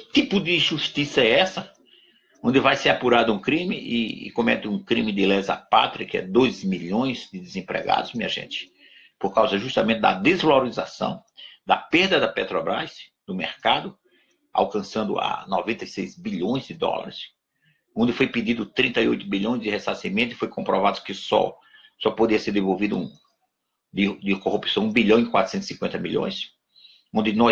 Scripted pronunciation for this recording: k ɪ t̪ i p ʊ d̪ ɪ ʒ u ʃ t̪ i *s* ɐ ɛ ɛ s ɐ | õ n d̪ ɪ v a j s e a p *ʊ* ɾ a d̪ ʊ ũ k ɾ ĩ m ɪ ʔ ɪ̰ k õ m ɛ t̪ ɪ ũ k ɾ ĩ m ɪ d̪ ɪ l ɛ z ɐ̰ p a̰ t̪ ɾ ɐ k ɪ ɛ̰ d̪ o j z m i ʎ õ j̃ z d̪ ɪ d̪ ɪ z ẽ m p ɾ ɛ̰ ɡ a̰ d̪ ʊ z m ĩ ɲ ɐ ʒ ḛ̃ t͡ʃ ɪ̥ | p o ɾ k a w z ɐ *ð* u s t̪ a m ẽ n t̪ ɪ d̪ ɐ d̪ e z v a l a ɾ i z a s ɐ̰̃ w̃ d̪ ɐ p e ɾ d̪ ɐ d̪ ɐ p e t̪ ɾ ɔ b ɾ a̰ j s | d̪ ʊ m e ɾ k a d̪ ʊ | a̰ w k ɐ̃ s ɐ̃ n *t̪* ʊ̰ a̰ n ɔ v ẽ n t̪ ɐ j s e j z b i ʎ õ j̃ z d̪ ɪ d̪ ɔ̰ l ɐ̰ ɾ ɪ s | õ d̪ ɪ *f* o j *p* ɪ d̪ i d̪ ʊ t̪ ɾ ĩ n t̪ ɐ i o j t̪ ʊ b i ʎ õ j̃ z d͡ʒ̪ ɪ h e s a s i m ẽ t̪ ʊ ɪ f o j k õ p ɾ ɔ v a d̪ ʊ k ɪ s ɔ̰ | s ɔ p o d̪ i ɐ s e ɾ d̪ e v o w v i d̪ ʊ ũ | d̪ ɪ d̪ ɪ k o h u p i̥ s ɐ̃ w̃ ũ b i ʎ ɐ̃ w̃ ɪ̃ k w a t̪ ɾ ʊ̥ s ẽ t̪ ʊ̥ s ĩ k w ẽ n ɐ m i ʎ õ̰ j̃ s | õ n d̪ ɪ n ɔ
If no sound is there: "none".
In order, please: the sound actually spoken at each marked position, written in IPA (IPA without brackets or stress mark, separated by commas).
s, u, ʒ, d̪, f, p